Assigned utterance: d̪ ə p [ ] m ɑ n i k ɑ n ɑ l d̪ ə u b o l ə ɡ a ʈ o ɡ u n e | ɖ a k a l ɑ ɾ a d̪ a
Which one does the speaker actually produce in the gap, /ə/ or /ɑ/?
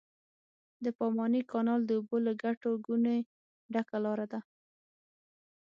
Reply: ɑ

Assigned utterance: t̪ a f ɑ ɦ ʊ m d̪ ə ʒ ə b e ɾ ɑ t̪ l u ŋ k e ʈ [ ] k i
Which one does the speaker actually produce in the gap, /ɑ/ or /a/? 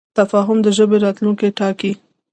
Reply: ɑ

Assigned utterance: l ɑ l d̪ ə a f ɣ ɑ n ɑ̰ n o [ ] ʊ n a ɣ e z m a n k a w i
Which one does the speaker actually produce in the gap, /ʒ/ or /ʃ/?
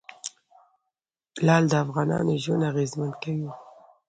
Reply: ʒ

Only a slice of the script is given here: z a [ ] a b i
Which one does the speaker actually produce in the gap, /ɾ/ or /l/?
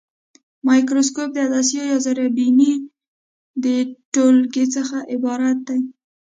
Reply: ɾ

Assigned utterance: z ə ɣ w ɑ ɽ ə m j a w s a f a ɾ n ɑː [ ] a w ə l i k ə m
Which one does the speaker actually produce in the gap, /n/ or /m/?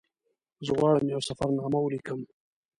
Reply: m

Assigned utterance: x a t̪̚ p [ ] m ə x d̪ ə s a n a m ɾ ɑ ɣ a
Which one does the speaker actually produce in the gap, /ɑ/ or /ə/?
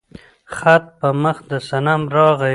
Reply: ə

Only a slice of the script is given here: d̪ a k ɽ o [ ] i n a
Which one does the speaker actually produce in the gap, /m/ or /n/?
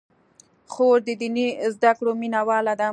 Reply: m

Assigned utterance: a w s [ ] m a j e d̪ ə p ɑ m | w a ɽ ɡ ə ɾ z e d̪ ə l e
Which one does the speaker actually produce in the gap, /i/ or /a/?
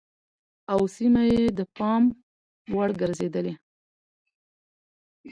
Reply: i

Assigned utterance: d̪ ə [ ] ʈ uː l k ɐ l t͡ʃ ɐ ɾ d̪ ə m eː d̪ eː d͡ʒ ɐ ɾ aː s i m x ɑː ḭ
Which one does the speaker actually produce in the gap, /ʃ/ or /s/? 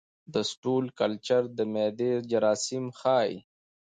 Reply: s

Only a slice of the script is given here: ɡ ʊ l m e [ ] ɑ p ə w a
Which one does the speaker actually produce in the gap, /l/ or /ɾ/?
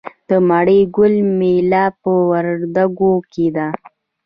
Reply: l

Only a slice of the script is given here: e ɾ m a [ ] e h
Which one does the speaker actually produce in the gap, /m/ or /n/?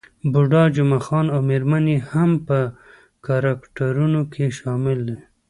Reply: n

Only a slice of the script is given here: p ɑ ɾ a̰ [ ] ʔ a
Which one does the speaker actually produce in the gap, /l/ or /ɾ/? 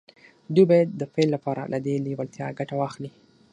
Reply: l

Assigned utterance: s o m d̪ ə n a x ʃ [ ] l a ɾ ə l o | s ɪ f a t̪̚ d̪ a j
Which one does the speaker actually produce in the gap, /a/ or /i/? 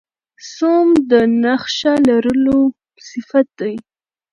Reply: a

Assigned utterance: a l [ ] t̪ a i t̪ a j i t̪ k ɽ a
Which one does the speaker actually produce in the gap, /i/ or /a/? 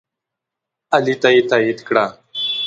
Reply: i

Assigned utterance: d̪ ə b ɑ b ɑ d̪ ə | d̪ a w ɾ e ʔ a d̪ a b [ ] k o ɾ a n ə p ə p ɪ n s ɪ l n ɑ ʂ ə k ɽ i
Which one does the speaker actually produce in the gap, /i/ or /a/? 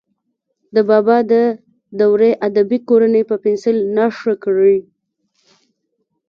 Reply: i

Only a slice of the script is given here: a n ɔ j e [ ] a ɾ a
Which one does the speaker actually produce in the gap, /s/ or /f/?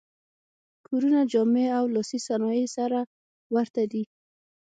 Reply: s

